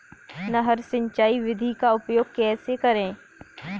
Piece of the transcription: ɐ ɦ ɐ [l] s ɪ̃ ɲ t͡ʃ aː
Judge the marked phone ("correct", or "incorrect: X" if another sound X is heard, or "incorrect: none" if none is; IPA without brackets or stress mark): incorrect: ɾ